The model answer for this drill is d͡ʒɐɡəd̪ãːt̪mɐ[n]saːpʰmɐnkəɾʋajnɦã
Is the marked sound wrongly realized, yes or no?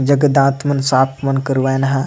no